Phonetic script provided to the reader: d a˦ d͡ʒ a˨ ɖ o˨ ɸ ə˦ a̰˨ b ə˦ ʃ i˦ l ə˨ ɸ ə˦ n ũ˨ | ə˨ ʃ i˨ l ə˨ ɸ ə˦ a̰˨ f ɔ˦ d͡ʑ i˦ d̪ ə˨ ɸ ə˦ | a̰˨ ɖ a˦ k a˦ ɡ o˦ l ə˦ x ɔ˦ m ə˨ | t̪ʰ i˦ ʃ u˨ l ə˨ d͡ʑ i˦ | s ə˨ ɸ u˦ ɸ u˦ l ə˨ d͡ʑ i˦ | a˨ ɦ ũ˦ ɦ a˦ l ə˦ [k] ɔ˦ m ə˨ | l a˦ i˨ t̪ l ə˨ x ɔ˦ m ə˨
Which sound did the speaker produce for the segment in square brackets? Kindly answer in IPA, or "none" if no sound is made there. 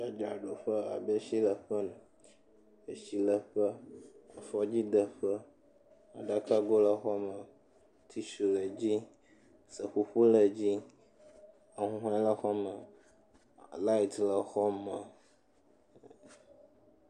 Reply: x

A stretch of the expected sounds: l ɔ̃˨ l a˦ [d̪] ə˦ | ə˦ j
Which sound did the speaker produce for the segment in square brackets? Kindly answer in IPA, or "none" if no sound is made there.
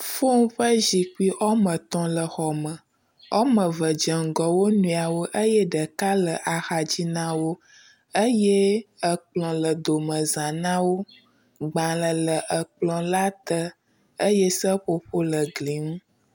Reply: t̪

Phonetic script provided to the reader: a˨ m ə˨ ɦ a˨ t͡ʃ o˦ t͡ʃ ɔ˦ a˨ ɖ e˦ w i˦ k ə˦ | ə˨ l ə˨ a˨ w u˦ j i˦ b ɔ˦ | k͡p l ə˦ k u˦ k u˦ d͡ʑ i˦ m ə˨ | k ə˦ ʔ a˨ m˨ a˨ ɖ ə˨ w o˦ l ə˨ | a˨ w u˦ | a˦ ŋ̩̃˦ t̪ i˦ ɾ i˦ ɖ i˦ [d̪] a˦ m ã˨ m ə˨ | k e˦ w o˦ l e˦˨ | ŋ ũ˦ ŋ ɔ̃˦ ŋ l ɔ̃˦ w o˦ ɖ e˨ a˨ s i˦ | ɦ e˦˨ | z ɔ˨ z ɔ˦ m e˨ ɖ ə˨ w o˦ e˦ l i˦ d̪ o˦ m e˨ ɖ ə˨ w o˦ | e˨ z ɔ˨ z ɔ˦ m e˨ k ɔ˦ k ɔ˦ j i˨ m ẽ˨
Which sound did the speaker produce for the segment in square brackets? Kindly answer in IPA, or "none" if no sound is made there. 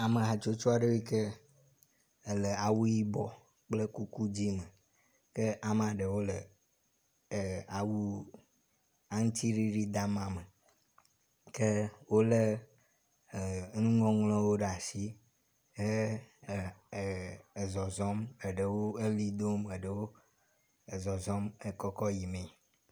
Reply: d̪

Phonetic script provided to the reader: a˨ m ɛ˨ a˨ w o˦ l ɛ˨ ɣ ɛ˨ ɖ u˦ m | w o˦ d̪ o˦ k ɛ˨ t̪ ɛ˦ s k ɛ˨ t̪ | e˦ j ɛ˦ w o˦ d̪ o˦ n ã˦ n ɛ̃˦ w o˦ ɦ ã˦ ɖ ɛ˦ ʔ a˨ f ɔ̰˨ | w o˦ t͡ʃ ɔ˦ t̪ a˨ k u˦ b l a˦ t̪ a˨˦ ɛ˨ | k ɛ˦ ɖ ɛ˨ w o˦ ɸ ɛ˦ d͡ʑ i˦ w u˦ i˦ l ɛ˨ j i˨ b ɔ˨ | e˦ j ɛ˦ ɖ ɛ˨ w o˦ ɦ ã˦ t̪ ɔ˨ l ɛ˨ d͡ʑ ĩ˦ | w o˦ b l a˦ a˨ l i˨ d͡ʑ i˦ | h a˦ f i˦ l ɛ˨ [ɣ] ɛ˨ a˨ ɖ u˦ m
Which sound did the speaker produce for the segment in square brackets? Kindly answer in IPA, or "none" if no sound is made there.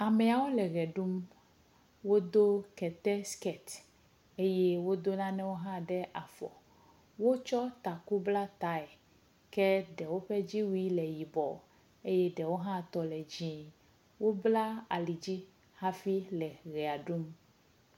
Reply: ɣ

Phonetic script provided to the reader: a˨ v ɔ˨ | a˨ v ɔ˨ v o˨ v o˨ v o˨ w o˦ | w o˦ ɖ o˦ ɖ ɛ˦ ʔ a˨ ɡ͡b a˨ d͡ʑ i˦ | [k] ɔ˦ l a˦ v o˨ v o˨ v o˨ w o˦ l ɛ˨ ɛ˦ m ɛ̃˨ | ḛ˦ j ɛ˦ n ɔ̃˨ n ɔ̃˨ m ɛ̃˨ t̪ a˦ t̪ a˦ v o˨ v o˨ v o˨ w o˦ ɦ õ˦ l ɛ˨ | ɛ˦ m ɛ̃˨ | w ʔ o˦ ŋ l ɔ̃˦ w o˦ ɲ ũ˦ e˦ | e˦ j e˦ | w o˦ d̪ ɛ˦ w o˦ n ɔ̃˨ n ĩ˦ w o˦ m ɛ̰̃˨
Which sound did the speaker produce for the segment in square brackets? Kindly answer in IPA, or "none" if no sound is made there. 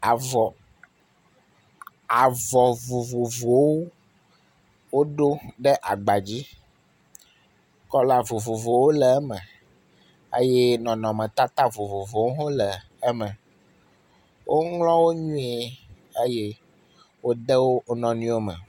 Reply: k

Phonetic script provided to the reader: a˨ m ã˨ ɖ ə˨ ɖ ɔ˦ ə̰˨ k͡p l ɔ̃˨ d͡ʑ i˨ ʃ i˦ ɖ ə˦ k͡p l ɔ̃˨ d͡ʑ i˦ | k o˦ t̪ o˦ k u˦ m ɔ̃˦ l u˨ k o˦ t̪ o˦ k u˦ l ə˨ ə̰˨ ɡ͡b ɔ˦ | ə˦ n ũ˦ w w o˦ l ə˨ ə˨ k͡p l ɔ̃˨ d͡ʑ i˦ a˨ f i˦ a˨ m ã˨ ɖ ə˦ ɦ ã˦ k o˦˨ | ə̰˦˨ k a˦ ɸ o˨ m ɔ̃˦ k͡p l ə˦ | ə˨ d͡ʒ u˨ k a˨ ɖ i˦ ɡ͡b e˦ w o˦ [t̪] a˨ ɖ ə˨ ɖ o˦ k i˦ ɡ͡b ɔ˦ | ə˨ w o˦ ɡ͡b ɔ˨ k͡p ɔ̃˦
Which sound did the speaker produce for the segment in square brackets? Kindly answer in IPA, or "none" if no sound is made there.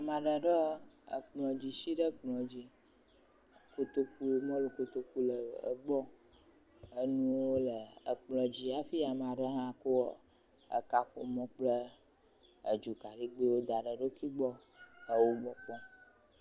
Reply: d̪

